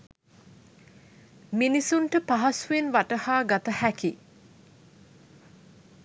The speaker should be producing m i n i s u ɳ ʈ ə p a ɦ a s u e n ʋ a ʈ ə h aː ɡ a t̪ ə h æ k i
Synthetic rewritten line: m i n i s u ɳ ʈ ə p a ɦ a s u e n ʋ a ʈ ə h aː ɡ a t̪ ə h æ k i